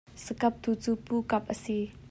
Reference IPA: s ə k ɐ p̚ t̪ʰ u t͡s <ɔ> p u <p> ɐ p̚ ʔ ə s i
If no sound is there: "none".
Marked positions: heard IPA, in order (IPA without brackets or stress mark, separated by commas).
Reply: u, k